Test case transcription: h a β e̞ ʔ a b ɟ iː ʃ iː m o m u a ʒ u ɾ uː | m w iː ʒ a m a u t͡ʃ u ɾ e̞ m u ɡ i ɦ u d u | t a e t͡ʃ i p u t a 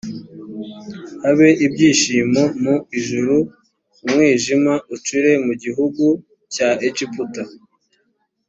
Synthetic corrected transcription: h a β e̞ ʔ i b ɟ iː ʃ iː m o m u i ʒ u ɾ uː | m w iː ʒ i m a u t͡ʃ u ɾ e̞ m u ɟ i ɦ u ɡ u | c a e t͡ʃ i p u t a

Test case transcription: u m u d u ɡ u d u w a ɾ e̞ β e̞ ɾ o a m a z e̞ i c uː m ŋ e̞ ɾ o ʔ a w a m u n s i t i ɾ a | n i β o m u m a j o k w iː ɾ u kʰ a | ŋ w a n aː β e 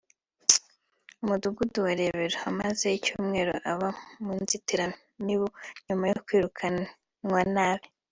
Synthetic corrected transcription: u m u d u ɡ u d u w a ɾ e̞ β e̞ ɾ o a m a z e̞ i c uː m ŋ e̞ ɾ o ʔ a β a m u n z i t i ɾ a | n i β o ɲ u m a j o k w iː ɾ u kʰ a | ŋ w a n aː β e

